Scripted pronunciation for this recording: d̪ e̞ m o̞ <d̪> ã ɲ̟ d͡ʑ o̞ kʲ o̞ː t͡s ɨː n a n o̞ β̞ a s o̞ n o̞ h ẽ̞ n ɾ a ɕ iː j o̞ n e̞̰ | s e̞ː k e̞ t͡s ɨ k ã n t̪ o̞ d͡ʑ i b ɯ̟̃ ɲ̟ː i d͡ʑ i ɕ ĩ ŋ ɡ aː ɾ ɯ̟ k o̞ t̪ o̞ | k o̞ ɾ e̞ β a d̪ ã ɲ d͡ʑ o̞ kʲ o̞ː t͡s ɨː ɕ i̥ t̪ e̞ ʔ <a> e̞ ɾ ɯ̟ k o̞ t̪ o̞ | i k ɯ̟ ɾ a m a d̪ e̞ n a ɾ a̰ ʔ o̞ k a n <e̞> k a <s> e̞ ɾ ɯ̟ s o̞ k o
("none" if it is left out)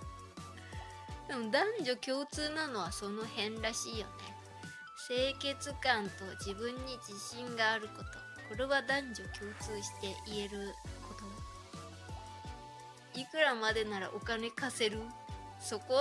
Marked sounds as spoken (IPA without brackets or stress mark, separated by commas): d̪, i, e̞, s